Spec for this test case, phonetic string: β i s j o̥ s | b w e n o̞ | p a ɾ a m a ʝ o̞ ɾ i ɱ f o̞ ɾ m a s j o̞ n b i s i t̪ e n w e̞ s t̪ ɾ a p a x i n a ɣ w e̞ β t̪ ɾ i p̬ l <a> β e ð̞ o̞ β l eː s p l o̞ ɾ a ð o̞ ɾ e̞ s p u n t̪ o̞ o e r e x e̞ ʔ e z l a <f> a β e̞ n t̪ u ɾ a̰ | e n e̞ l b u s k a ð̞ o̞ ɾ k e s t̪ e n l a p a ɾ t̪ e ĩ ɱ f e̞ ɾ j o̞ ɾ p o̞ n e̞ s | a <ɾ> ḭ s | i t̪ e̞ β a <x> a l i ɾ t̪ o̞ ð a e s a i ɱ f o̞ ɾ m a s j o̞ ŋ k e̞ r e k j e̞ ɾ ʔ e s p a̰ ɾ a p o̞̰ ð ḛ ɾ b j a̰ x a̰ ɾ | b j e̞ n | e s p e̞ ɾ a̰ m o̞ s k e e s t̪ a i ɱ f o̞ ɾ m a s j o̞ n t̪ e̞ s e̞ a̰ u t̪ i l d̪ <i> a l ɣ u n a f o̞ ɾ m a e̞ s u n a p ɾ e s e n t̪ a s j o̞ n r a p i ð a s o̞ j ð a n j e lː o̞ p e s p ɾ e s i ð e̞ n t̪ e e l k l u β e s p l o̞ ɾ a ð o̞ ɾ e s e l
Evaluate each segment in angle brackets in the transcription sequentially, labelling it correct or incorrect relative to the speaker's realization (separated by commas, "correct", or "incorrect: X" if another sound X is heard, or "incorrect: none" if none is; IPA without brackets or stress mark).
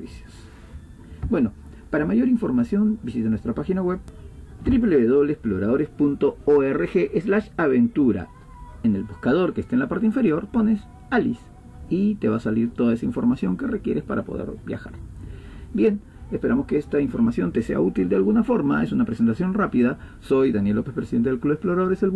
incorrect: e, incorrect: ʃ, incorrect: l, incorrect: s, incorrect: e